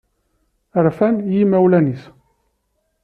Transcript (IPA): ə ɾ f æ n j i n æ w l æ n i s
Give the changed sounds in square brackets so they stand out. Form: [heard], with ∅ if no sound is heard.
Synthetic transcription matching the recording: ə ɾ f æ n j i [m] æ w l æ n i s